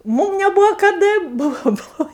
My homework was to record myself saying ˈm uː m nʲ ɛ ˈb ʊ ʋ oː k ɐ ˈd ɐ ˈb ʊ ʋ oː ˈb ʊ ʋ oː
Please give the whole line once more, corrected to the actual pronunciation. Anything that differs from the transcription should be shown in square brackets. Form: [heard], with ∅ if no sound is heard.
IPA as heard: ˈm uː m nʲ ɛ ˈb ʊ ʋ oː k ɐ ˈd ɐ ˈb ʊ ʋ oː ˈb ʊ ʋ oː